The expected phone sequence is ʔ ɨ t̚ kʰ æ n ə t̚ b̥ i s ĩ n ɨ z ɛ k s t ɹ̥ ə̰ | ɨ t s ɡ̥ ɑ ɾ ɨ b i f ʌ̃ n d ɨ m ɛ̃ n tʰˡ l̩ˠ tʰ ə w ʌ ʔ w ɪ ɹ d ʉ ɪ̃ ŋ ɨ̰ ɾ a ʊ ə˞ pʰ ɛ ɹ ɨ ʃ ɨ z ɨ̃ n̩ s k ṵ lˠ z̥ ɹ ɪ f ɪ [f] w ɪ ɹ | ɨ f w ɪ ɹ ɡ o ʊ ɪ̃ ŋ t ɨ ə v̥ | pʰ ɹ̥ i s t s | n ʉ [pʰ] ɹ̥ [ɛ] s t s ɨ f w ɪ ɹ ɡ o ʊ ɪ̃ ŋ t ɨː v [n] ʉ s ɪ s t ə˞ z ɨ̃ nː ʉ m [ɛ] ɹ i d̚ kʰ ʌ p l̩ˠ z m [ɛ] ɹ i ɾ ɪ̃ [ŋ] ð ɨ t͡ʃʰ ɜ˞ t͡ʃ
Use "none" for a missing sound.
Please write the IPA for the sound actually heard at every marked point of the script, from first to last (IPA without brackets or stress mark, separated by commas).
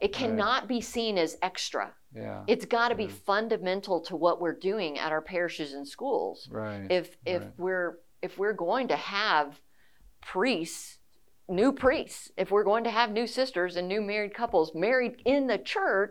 f, pʰ, i, n, ɛ, ɛ, n